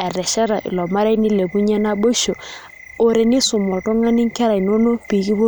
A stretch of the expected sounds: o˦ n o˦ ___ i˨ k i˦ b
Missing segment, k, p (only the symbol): p